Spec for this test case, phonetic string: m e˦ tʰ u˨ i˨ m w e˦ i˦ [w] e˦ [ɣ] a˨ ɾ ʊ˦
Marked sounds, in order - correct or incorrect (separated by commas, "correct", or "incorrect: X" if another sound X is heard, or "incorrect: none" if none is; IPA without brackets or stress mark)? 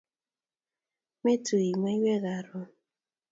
correct, correct